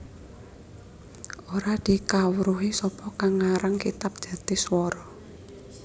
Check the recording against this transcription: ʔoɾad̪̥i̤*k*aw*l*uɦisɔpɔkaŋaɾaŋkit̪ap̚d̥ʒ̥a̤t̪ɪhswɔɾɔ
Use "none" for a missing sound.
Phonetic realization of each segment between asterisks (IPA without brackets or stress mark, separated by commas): k, ɾ